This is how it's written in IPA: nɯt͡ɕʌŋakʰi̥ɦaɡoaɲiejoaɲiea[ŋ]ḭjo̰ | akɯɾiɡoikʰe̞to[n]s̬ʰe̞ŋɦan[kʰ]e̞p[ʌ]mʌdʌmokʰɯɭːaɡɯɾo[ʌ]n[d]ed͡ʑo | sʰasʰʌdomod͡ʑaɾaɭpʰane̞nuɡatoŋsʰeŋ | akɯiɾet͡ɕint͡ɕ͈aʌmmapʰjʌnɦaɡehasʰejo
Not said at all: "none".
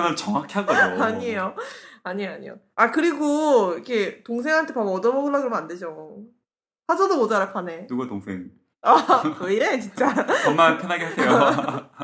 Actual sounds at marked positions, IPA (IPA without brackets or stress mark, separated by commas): ɲ, ŋ, tʰ, a, a, d